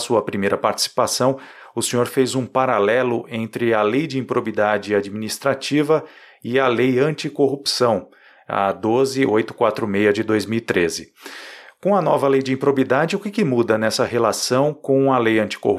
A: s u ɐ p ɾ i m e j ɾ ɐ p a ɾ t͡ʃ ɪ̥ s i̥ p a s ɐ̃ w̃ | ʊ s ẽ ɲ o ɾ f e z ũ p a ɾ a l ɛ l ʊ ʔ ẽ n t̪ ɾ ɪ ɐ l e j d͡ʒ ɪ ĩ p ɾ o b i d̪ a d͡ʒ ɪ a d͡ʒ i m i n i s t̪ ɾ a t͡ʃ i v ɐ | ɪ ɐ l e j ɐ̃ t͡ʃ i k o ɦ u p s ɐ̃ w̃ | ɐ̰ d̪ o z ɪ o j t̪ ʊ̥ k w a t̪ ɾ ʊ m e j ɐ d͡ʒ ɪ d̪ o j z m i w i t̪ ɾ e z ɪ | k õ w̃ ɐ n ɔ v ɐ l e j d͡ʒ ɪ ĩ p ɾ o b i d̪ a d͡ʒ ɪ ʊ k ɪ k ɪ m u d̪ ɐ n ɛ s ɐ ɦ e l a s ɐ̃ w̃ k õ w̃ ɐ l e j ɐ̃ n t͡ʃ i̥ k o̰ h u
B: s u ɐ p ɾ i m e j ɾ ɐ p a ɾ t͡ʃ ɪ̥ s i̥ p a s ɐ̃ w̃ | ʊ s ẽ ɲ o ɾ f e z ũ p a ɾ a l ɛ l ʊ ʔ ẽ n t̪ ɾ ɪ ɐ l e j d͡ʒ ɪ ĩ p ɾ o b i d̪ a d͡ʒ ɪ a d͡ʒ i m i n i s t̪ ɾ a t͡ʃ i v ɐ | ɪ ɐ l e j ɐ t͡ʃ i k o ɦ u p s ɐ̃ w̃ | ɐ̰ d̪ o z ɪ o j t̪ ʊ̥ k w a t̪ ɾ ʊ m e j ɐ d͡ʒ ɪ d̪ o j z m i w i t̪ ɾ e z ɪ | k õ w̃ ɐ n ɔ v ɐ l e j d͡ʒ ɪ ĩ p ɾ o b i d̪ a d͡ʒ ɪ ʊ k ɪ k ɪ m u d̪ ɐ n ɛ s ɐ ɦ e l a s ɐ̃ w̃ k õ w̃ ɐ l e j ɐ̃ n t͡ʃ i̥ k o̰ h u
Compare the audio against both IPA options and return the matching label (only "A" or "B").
A